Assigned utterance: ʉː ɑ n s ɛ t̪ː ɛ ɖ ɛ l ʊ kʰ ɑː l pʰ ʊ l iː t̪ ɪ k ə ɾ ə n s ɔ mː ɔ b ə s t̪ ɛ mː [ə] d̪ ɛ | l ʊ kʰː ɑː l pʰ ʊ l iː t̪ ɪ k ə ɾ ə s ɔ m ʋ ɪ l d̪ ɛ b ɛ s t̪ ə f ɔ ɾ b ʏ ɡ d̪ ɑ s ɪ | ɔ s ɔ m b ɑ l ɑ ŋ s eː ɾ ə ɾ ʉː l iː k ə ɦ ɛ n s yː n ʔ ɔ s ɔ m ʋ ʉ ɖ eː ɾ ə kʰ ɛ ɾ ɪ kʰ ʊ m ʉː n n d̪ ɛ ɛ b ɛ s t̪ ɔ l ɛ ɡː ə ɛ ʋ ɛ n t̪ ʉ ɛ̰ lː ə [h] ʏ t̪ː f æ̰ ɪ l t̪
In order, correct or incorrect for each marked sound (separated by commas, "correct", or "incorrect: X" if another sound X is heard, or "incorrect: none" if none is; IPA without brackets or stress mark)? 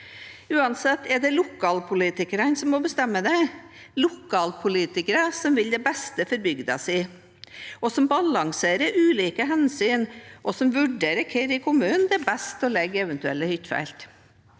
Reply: correct, correct